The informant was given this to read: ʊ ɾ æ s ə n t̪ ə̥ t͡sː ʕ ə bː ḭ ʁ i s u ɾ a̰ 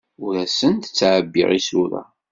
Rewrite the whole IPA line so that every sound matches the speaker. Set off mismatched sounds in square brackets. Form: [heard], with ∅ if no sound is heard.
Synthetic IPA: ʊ ɾ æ s ə n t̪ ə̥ t͡sː ʕ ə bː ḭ ʁ i s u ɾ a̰